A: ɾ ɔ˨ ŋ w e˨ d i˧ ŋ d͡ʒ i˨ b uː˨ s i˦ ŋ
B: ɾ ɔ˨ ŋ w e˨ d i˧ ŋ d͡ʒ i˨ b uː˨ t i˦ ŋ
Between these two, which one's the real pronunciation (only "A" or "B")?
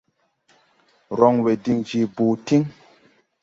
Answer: B